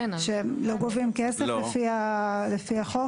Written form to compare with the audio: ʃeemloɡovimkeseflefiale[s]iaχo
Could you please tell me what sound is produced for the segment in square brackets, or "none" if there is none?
f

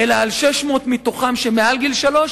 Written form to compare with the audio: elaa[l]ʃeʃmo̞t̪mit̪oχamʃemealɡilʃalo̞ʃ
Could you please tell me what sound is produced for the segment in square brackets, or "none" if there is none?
l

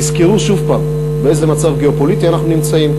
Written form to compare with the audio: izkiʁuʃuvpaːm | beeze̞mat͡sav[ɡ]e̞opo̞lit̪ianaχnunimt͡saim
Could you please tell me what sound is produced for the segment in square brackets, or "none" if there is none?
ɡ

